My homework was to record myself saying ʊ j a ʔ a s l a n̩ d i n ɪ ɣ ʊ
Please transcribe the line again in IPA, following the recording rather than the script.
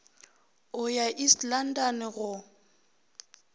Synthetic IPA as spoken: ʊ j a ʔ i s l a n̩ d a n ɪ ɣ ʊ